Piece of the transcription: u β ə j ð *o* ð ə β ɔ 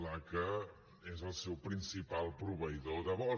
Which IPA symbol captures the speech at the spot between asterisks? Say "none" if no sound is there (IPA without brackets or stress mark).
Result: o